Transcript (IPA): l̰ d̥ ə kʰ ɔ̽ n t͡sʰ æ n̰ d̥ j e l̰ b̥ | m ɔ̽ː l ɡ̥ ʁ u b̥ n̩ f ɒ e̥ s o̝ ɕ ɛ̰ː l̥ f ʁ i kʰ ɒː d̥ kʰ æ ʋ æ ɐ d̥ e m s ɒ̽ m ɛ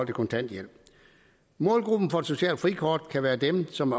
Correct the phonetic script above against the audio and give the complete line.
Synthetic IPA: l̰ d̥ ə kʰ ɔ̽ n t͡sʰ æ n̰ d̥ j e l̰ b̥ | m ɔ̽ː l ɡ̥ ʁ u b̥ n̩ f ɒ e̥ s o̝ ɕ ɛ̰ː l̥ f ʁ i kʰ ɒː d̥ kʰ æ ʋ æː ɐ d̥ e m s ɒ̽ m æ